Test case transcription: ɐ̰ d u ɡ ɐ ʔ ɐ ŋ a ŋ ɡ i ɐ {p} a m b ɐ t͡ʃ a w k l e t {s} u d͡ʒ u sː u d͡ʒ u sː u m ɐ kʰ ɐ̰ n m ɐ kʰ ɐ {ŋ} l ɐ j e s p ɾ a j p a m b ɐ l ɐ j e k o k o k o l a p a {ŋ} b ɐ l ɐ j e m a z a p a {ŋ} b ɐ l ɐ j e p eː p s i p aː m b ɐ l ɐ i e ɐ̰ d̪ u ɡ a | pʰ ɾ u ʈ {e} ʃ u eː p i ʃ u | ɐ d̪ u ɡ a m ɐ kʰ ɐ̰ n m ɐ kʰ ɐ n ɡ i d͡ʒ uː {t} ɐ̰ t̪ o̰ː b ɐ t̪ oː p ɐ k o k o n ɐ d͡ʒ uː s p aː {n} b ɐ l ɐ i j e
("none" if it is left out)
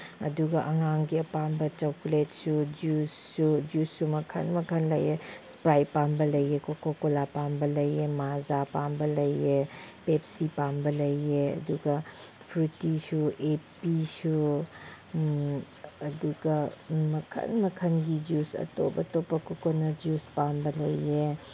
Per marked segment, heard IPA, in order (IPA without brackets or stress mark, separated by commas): p, s, n, m, m, i, s, m